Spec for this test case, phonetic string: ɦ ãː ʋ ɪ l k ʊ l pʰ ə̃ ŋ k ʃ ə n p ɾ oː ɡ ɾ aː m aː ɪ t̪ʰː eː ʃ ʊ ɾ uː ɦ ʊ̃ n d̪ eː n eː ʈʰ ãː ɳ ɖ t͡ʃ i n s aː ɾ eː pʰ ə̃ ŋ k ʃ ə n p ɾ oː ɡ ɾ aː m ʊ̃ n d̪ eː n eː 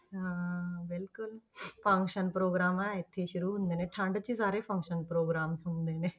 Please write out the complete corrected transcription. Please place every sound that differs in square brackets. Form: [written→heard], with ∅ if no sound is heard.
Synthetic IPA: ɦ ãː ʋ ɪ l k ʊ l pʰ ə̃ ŋ k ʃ ə n p ɾ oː ɡ ɾ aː m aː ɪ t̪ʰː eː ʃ ʊ ɾ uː ɦ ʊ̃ n d̪ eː n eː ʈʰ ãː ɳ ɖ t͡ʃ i [n→∅] s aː ɾ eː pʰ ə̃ ŋ k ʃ ə n p ɾ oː ɡ ɾ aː m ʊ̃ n d̪ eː n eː